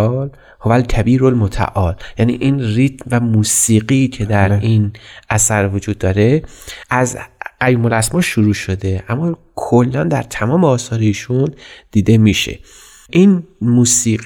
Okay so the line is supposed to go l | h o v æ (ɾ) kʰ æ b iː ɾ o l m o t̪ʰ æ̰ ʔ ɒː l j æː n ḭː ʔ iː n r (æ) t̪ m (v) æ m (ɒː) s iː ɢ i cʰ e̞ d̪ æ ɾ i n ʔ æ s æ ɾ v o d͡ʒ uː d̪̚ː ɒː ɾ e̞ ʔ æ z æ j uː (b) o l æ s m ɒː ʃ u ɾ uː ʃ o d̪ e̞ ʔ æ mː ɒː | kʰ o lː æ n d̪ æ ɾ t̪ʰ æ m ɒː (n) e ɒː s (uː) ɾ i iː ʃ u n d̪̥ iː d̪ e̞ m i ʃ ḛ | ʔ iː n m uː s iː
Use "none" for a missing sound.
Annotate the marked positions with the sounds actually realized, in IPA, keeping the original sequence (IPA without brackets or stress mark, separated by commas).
l, i, v, uː, m, m, ɒː